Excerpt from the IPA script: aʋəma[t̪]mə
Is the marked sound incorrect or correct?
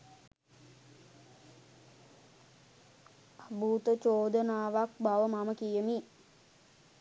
incorrect